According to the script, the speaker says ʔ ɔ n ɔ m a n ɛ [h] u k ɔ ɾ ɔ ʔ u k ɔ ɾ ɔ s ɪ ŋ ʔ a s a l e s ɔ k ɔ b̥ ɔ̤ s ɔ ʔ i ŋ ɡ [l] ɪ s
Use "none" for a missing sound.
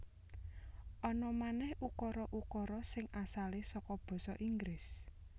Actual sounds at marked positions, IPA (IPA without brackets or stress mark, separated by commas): h, ɾ